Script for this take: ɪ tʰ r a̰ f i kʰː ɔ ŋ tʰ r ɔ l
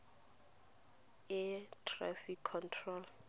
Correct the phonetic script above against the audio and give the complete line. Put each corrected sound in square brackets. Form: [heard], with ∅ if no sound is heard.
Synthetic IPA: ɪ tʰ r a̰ f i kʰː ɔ [n] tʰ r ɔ l